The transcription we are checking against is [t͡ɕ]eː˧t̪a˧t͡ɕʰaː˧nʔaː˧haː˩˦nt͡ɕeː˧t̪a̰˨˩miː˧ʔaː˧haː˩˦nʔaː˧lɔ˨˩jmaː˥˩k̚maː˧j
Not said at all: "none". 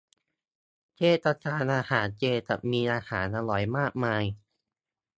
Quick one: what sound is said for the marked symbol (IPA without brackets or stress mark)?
t͡ɕ